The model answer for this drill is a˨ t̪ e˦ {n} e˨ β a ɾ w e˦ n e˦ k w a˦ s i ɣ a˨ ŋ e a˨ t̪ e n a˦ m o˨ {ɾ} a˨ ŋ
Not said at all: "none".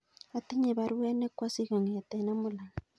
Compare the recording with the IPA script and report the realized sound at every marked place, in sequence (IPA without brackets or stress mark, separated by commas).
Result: ɲ, l